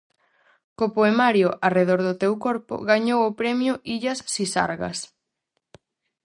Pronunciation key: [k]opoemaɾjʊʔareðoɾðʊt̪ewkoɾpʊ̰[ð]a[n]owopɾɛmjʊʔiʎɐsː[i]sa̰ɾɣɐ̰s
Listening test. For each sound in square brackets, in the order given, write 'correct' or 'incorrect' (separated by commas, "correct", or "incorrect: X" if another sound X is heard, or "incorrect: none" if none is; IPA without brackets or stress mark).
correct, incorrect: ɣ, incorrect: ɲ, correct